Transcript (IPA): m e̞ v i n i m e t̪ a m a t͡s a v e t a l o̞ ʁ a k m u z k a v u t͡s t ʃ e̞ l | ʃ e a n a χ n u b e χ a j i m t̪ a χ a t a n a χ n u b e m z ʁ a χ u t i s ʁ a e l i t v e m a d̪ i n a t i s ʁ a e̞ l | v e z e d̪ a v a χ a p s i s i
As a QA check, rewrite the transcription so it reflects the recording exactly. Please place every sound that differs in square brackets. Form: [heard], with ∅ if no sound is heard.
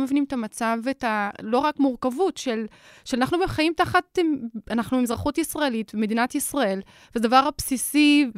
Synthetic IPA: m e̞ v i n i m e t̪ a m a t͡s a v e t a l o̞ ʁ a k m u [ʁ] k a v u [∅] t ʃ e̞ l | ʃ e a n a χ n u b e χ a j i m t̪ a χ a t a n a χ n u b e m z ʁ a χ u t i s ʁ a e l i t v e m [e] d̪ i n a t i s ʁ a e̞ l | v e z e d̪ a v a [ʁ] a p s i s i